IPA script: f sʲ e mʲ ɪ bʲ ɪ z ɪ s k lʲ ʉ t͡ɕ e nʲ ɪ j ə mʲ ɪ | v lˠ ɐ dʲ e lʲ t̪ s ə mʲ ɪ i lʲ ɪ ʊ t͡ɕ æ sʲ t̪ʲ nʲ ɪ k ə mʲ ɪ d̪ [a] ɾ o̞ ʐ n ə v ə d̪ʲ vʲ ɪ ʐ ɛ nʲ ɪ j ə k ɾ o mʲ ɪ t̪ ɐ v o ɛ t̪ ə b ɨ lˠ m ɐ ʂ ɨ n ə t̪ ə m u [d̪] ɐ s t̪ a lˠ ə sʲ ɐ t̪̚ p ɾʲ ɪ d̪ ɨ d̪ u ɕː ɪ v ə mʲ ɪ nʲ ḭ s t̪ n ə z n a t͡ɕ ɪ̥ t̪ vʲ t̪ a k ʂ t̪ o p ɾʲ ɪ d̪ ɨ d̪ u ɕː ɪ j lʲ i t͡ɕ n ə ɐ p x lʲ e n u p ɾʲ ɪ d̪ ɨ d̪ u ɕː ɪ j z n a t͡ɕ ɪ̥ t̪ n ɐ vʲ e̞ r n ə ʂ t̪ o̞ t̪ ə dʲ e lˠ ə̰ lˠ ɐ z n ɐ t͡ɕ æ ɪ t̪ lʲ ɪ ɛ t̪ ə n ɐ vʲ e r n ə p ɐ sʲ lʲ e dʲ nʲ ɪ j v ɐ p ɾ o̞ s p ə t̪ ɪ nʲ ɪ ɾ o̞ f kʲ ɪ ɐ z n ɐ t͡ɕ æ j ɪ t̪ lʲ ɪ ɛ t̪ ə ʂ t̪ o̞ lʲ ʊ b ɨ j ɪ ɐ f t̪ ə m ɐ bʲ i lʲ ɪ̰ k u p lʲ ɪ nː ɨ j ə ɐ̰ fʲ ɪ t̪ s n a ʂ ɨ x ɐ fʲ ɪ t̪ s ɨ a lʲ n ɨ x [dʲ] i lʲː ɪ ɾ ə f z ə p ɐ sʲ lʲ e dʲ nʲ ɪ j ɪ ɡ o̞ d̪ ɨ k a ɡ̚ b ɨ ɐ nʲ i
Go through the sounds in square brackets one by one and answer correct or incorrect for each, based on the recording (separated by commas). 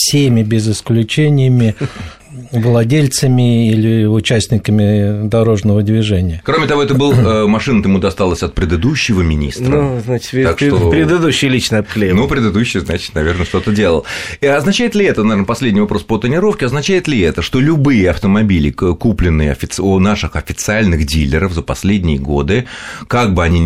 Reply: incorrect, correct, correct